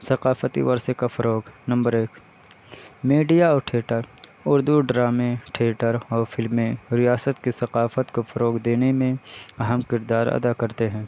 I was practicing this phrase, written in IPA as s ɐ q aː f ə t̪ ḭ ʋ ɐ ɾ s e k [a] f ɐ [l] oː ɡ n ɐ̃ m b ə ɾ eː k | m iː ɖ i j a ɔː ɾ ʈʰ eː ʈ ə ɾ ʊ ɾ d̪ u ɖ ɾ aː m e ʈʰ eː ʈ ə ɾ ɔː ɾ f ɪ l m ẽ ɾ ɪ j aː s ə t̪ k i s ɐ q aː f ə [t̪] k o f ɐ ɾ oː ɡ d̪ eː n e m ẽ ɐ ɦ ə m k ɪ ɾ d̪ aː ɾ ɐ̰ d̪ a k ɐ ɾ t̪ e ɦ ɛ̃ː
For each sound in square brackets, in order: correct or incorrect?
correct, incorrect, correct

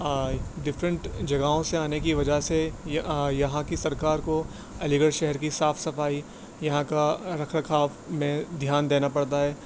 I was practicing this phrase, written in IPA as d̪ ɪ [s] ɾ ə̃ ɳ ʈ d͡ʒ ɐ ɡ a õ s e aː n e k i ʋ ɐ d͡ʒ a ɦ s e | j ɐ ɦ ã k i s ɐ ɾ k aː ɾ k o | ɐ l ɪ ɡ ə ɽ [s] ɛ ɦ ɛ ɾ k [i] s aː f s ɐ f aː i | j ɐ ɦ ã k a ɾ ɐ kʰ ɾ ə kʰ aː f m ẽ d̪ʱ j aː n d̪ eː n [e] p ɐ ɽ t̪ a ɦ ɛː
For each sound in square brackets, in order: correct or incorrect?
incorrect, incorrect, correct, incorrect

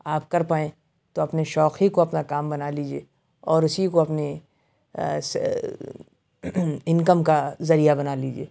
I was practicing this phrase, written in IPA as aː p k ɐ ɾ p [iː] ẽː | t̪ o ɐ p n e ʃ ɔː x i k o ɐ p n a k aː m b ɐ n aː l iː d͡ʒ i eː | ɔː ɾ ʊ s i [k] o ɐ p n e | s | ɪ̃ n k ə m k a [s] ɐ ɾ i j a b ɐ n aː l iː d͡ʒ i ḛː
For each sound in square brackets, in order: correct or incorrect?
incorrect, correct, incorrect

